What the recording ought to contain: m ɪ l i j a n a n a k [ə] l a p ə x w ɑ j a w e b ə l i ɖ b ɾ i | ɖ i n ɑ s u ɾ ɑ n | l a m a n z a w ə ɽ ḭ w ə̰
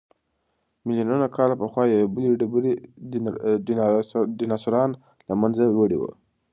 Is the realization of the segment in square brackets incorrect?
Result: yes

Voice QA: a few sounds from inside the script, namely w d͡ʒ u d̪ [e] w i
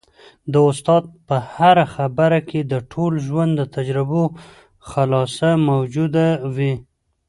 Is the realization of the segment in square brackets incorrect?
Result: yes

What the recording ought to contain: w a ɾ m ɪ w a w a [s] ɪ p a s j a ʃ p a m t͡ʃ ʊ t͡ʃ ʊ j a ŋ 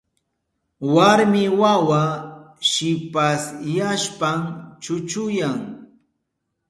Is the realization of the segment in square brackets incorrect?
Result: yes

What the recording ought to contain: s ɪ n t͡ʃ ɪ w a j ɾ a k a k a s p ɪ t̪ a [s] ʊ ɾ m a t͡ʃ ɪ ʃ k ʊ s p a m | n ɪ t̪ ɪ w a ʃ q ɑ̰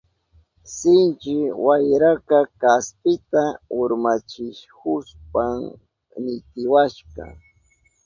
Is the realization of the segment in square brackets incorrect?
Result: yes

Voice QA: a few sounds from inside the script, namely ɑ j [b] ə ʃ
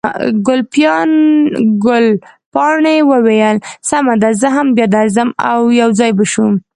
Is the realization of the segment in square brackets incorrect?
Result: no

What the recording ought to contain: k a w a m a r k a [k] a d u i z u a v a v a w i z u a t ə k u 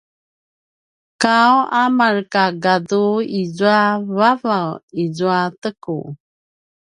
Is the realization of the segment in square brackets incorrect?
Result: yes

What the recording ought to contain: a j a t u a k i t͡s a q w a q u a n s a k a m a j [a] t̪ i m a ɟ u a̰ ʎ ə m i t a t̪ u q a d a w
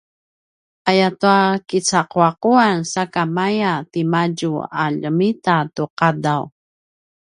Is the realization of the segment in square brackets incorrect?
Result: no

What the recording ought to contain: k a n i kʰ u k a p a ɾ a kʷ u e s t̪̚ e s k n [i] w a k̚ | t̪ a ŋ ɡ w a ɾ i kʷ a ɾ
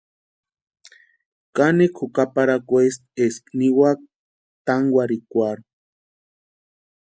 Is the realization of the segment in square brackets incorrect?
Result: no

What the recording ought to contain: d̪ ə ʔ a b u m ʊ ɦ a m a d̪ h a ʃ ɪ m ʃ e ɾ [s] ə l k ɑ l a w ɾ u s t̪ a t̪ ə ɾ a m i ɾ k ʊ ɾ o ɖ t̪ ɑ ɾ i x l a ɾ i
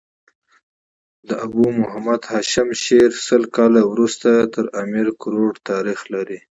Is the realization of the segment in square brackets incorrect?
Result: no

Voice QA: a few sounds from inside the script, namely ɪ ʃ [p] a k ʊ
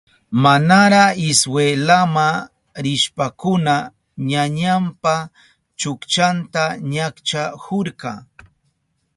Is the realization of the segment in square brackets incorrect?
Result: no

